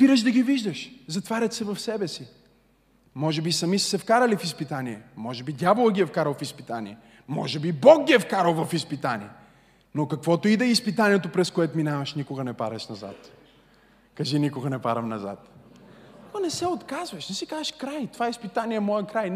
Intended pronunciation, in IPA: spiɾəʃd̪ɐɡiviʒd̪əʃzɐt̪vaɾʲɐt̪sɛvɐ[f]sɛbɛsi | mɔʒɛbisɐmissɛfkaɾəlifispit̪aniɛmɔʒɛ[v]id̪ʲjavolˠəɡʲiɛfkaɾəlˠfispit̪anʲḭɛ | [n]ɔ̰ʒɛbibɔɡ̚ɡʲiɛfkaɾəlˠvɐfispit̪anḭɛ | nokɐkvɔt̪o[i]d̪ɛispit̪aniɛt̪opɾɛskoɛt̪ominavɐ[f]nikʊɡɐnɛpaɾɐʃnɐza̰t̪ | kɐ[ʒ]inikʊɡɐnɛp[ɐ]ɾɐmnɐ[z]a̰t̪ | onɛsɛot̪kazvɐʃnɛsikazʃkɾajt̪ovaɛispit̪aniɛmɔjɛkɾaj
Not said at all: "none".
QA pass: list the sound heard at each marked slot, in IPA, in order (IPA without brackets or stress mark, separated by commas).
f, b, m, i, ʃ, ʒ, a, z